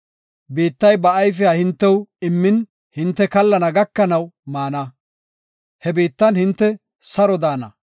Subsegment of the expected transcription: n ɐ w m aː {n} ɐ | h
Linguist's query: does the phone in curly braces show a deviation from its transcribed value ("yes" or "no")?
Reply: no